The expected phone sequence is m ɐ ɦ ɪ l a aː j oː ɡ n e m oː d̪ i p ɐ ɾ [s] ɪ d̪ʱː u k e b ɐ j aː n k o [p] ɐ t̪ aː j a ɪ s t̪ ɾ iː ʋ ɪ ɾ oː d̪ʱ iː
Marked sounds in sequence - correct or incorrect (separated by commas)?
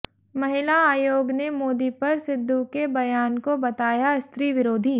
correct, incorrect